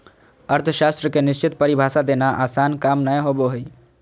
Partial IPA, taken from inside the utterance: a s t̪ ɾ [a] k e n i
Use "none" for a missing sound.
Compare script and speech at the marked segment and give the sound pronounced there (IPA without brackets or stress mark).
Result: ə